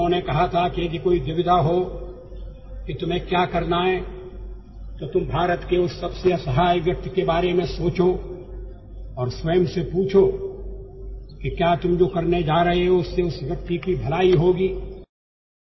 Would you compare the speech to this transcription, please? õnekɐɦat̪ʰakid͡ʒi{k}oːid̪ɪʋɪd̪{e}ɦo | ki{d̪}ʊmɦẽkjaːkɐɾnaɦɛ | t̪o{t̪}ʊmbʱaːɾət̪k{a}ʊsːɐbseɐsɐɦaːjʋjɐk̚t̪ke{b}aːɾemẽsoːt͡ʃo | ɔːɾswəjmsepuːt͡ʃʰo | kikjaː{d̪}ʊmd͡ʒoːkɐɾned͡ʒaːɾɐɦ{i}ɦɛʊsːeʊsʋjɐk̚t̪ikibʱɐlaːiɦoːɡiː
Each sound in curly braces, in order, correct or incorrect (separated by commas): correct, incorrect, incorrect, correct, incorrect, correct, incorrect, incorrect